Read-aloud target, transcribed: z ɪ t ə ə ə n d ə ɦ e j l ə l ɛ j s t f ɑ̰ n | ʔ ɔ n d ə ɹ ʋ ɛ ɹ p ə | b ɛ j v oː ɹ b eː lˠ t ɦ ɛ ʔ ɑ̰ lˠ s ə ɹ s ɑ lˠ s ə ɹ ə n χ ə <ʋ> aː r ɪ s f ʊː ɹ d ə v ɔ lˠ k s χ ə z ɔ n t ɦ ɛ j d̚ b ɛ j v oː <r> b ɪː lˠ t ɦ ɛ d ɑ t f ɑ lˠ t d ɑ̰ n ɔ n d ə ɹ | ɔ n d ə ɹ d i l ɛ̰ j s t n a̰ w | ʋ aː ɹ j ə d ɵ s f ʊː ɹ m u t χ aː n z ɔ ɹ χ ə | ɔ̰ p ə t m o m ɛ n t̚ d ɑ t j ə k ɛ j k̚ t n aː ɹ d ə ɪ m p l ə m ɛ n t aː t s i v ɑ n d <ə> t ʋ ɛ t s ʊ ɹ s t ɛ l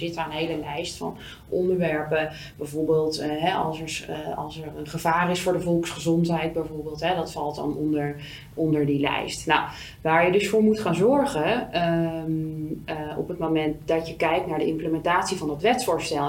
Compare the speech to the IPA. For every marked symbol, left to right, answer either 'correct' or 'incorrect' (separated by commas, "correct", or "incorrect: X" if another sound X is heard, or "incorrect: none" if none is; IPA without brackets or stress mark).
incorrect: v, incorrect: ɹ, incorrect: ɑ